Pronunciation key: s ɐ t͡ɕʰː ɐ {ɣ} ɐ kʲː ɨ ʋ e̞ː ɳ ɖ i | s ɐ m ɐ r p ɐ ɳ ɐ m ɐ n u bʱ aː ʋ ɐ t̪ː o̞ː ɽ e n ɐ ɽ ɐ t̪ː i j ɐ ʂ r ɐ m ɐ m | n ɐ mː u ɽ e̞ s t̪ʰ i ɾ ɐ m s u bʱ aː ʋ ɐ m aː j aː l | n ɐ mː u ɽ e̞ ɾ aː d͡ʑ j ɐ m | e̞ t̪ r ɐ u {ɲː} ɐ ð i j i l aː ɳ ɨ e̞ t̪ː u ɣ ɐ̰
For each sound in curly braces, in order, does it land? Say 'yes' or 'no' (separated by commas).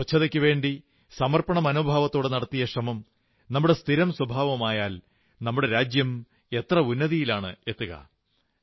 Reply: no, no